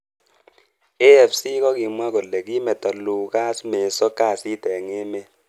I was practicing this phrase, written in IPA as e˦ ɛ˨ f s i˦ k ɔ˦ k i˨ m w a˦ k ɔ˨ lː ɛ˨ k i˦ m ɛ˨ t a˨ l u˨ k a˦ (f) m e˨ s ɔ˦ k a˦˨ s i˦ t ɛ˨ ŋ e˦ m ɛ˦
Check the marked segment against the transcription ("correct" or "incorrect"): incorrect